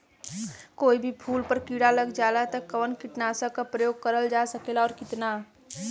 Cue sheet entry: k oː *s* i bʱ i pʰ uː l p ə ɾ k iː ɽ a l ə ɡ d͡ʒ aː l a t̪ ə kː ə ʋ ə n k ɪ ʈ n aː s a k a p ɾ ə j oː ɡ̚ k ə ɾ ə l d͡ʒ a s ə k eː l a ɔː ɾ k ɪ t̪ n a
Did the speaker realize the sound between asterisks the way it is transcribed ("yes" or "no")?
no